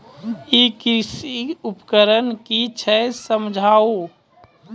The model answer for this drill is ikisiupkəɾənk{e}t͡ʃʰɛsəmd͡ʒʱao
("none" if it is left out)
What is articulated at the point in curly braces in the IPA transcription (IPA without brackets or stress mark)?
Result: i